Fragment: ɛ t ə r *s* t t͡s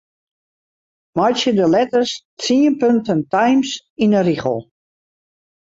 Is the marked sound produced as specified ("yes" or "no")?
yes